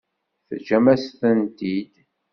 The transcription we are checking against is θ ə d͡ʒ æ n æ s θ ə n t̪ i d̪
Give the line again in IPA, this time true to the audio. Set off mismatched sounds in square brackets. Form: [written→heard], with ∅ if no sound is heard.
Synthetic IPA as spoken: θ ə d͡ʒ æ [n→m] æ s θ ə n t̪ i d̪